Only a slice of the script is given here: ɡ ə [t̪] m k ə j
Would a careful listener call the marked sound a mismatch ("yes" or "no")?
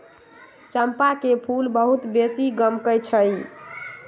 yes